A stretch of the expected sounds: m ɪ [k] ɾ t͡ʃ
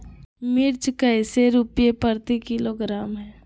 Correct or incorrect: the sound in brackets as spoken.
incorrect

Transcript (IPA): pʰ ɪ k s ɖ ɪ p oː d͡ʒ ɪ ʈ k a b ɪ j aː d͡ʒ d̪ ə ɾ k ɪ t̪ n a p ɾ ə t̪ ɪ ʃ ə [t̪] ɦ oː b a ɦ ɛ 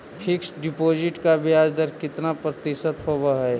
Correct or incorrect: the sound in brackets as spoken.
correct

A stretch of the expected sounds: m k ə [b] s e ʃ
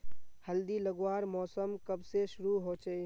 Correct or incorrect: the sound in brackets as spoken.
correct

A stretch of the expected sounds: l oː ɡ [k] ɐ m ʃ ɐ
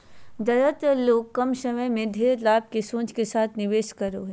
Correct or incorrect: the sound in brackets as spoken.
correct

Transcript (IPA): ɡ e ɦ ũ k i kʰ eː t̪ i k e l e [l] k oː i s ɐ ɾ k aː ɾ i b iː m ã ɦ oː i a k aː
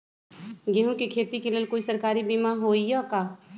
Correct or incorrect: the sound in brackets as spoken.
correct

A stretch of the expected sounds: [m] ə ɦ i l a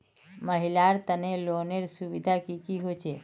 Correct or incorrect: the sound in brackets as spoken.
correct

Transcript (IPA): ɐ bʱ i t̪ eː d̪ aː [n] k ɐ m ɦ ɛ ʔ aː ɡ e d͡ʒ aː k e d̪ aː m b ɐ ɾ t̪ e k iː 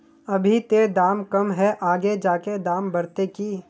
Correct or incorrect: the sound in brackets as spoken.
incorrect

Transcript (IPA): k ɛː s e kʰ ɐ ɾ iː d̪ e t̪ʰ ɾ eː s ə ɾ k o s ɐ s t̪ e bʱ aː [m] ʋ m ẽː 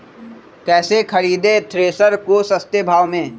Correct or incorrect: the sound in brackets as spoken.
incorrect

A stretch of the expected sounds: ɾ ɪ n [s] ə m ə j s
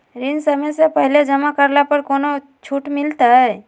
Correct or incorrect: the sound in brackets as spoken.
correct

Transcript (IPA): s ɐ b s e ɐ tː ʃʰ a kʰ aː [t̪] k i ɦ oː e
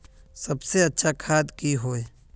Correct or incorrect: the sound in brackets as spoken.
incorrect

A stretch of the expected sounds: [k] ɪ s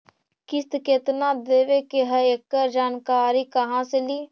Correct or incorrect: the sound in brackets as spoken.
correct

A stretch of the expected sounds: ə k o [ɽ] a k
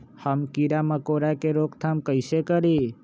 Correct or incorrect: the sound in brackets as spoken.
incorrect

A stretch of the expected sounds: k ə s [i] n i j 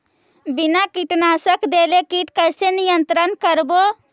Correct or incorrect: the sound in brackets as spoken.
incorrect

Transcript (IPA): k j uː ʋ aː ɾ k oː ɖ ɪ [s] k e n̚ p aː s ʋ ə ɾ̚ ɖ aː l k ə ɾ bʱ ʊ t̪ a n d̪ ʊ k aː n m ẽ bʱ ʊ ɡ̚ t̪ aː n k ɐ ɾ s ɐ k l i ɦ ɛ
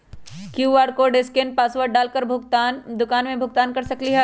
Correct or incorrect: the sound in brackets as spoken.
correct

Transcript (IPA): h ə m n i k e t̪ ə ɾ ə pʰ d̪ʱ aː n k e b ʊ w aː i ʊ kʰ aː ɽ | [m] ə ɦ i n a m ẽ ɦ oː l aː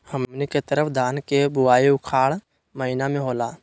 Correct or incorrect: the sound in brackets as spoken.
correct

